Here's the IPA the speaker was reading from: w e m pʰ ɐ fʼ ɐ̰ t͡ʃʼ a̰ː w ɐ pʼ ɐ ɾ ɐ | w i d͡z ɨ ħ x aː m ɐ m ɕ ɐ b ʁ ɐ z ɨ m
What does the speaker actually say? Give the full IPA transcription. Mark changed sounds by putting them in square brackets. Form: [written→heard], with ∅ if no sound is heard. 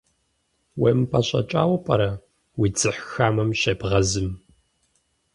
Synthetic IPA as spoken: w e m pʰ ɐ [fʼ→ɕʼ] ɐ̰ t͡ʃʼ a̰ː w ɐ pʼ ɐ ɾ ɐ | w i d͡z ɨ ħ x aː m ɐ m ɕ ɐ b ʁ ɐ z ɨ m